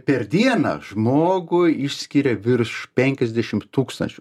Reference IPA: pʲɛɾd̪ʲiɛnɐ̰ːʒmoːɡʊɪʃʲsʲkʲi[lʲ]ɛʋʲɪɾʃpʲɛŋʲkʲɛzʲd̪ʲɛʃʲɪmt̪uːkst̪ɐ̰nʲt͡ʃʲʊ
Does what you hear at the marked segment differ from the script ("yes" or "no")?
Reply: yes